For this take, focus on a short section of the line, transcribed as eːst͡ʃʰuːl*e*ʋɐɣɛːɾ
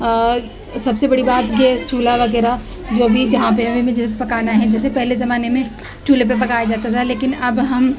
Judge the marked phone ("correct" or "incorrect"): incorrect